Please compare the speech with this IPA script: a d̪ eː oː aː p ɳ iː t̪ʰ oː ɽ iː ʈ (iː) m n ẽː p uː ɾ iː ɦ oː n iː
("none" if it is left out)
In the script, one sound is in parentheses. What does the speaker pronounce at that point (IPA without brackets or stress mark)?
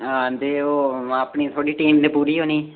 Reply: iː